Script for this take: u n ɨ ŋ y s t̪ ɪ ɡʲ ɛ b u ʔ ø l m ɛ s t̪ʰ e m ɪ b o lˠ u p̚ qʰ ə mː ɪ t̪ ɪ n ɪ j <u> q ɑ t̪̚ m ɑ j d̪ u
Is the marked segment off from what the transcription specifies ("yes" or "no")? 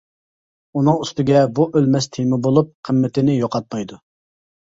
yes